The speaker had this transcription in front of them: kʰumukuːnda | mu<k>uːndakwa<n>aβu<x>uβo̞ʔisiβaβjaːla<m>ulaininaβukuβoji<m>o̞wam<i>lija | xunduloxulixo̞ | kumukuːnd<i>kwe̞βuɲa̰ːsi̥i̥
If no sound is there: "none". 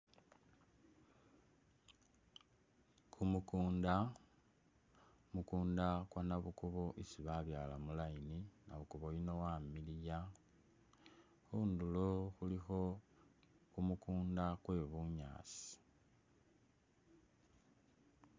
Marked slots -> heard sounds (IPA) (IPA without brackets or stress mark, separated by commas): k, n, k, m, n, i, a